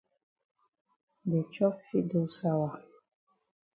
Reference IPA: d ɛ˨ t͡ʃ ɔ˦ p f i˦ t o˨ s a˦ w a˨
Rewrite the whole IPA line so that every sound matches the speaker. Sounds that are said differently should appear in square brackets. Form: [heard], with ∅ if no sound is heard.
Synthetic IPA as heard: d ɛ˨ t͡ʃ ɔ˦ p f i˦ [d] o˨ s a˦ w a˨